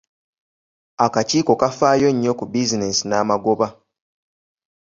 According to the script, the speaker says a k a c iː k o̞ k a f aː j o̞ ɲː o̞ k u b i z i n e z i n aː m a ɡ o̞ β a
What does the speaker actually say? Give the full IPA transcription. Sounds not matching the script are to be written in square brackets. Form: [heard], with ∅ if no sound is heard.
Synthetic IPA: a k a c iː k o̞ k a f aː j o̞ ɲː o̞ k u b i z i n e [s] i n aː m a ɡ o̞ β a